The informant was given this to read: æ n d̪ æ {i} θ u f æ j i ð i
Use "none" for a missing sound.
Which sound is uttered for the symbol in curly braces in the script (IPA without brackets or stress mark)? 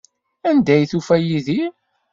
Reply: j